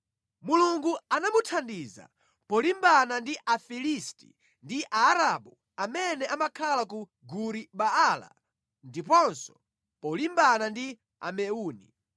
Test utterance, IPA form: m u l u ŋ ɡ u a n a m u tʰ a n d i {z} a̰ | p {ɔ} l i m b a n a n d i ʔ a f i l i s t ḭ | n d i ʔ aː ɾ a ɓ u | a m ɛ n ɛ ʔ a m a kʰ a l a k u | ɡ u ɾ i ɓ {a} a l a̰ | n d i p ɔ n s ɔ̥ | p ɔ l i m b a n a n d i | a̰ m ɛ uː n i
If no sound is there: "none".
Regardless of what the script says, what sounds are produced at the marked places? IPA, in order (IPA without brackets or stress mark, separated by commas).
z, ɔ, a